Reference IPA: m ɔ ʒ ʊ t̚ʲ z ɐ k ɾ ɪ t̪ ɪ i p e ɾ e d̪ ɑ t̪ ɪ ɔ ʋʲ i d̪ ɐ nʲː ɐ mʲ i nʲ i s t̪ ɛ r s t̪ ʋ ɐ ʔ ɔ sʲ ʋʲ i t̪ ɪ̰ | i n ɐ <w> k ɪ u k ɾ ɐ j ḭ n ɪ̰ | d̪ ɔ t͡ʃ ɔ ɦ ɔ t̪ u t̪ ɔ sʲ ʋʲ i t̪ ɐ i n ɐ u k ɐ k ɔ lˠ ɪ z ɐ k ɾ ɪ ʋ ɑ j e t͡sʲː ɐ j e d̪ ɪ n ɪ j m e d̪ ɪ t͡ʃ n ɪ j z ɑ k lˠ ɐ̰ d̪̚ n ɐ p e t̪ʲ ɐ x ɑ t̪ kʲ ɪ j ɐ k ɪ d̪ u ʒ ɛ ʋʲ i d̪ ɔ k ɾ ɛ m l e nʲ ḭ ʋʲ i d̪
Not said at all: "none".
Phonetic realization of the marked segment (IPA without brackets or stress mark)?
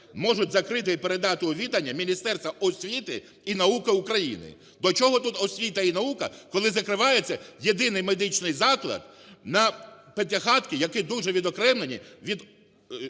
u